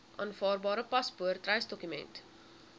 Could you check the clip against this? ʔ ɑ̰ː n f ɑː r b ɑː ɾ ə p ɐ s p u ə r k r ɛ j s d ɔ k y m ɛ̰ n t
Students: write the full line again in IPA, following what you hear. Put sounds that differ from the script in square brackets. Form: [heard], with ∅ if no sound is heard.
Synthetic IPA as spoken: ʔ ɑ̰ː n f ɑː r b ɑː ɾ ə p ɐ s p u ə r [t] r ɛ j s d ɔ k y m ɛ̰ n t